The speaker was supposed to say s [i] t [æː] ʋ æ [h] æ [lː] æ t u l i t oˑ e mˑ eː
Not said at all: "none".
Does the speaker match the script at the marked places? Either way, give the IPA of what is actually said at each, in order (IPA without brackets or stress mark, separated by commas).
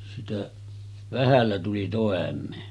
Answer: i, æ, h, lː